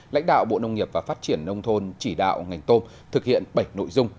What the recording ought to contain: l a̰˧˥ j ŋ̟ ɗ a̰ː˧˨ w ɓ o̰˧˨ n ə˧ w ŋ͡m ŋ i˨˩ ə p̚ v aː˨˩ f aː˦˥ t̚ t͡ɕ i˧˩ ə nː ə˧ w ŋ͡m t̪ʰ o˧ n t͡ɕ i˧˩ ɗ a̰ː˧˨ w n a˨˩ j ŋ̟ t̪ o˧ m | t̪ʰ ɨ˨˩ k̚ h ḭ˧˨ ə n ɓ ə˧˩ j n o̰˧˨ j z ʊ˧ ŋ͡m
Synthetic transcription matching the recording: l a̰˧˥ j ŋ̟ ɗ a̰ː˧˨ w ɓ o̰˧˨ n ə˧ w ŋ͡m ŋ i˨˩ ə p̚ v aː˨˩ f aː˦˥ t̚ t͡ɕ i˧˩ ə nː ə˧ w ŋ͡m t̪ʰ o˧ n t͡ɕ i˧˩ ɗ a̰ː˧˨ w ŋ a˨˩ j ŋ̟ t̪ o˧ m | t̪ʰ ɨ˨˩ k̚ h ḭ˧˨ ə n ɓ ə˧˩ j n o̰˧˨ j z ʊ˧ ŋ͡m